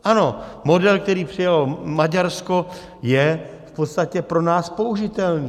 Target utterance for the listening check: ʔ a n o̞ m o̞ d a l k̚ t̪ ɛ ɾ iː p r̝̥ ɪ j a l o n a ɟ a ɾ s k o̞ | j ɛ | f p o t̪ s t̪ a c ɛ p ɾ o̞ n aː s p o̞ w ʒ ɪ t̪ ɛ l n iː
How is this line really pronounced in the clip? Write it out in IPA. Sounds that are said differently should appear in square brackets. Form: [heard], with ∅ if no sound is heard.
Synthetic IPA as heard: ʔ a n o̞ m o̞ d [ɛ] l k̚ t̪ ɛ ɾ iː p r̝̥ ɪ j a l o [m] a ɟ a ɾ s k o̞ | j ɛ | f p o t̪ s t̪ a c ɛ p ɾ o̞ n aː s p o̞ [u] ʒ ɪ t̪ ɛ l n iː